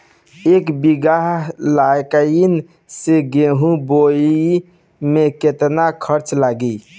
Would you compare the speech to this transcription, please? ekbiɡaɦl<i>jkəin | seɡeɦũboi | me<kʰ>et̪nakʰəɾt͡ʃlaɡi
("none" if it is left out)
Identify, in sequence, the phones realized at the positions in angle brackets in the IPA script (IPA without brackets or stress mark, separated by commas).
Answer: a, k